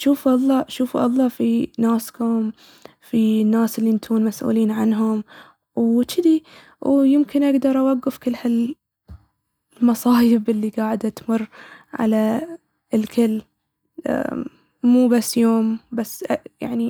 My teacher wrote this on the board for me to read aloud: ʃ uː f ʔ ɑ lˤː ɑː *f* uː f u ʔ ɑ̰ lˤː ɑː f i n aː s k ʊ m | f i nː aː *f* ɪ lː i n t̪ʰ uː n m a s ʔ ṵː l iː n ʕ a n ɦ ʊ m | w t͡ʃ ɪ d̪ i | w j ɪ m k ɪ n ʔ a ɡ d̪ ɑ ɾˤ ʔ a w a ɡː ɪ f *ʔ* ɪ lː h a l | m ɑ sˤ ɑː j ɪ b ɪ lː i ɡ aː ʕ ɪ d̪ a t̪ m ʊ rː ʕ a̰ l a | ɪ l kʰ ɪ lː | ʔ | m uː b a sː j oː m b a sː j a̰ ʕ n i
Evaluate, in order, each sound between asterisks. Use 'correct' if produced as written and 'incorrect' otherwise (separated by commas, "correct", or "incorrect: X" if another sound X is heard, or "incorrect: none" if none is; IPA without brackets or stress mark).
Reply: incorrect: ʃ, incorrect: s, incorrect: k